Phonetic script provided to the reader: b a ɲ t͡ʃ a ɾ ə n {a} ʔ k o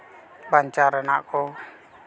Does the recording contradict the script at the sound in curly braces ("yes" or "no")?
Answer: no